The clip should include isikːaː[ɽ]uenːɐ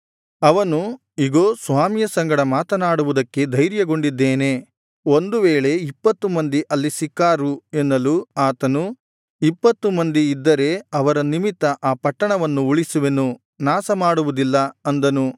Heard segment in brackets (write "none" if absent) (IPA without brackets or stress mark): ɾ